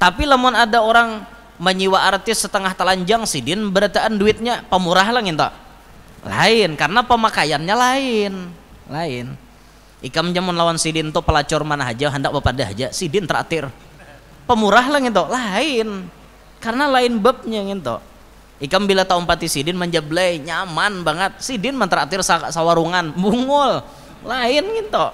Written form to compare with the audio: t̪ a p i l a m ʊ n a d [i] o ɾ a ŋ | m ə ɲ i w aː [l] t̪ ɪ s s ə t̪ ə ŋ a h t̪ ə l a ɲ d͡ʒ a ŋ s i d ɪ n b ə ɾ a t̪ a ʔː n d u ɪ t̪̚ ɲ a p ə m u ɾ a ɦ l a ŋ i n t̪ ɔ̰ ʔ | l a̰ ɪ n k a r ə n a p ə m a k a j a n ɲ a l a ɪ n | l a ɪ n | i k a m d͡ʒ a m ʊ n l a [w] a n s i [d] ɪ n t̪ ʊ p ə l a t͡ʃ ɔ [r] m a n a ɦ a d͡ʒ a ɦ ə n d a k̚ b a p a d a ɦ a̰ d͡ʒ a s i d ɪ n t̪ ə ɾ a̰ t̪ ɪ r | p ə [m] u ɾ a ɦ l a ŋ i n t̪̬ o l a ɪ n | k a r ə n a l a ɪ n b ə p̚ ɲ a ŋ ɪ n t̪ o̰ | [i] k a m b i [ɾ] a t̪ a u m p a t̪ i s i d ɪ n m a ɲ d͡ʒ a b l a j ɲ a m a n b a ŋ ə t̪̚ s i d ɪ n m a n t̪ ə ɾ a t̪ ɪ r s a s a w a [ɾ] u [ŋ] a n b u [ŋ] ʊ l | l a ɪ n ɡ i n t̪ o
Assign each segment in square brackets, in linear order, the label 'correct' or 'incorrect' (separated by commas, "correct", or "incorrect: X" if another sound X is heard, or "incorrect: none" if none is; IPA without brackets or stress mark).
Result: incorrect: a, incorrect: r, correct, correct, correct, correct, correct, incorrect: l, correct, correct, correct